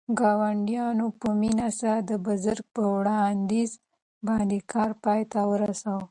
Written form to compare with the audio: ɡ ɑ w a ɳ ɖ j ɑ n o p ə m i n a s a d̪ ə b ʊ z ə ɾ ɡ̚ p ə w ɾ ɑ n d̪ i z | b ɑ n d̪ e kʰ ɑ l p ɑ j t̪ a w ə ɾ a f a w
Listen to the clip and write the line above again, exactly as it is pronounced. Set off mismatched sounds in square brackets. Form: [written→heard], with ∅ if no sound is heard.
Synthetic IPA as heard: ɡ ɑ w a ɳ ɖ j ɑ n o p ə m i n a s a d̪ ə b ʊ z ə ɾ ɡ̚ p ə w [ɾ→ɽ] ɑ n d̪ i z | b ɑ n d̪ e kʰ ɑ [l→ɾ] p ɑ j t̪ a w ə ɾ a [f→s] a w